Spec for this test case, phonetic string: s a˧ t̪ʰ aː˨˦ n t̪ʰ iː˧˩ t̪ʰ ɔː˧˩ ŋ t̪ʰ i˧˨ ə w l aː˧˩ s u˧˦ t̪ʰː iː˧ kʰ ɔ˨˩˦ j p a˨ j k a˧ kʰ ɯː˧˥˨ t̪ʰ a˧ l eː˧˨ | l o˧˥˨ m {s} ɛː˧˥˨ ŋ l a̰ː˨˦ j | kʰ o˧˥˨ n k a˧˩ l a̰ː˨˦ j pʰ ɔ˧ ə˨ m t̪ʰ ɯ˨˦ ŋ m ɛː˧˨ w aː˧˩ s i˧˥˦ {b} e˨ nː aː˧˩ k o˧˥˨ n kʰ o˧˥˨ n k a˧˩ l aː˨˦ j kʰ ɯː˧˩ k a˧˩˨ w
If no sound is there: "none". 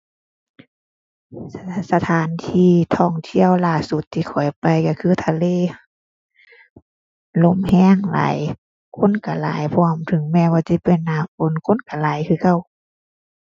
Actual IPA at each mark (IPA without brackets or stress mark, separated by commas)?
h, p